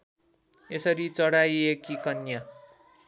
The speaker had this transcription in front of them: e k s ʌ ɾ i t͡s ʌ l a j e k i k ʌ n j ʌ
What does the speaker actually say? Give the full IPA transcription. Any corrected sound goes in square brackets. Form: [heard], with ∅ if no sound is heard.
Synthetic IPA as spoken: e [∅] s ʌ ɾ i t͡s ʌ [ɽ] a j e k i k ʌ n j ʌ